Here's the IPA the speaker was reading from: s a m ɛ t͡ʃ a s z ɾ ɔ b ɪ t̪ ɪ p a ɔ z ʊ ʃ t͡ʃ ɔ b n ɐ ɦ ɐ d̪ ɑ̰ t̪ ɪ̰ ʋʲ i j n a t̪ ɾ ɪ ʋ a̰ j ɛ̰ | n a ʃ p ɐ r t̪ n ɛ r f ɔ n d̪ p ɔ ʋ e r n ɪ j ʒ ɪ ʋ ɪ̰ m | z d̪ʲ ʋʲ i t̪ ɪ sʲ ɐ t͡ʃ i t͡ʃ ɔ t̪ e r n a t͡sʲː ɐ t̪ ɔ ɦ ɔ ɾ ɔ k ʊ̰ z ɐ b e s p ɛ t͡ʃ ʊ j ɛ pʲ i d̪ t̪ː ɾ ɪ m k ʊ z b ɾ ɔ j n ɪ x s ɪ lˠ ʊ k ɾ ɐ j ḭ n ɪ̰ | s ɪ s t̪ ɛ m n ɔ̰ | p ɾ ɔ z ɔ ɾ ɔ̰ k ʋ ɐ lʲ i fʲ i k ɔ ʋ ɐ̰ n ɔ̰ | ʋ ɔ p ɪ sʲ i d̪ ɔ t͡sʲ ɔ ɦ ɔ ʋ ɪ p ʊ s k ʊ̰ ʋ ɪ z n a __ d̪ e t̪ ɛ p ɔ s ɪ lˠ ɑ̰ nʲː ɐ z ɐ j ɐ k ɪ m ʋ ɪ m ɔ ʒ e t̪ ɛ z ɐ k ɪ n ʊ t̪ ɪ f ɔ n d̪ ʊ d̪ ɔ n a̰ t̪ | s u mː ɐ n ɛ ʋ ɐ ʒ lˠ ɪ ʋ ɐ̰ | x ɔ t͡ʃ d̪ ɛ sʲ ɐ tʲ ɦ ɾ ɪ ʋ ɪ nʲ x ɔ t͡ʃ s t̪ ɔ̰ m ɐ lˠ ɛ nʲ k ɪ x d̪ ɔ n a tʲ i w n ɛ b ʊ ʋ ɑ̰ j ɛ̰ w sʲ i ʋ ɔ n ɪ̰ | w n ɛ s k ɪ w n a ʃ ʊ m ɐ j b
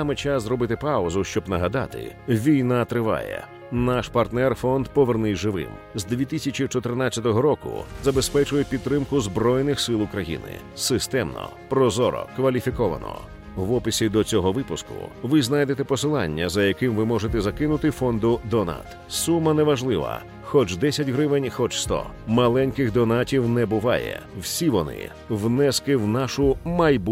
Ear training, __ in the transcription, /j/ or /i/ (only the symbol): j